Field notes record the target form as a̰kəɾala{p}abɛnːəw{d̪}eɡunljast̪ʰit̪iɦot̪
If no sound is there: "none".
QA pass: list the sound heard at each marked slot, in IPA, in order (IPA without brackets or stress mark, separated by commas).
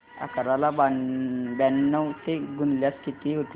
b, t̪